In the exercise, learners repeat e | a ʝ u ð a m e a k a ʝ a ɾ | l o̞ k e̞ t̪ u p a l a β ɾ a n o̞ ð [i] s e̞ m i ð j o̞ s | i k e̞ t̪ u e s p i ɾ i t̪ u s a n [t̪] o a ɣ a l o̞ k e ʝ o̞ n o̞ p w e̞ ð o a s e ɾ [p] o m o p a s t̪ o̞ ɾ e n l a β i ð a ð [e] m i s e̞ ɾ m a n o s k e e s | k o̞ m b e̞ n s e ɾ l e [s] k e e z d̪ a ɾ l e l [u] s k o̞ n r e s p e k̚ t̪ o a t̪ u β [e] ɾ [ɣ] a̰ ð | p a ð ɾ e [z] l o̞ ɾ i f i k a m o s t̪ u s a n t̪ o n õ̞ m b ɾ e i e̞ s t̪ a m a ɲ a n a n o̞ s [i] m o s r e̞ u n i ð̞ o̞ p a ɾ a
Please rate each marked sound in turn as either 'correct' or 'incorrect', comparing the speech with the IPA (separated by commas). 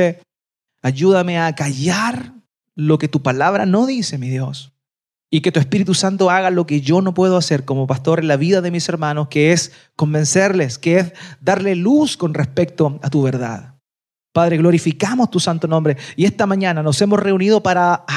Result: correct, correct, incorrect, correct, correct, correct, correct, incorrect, incorrect, incorrect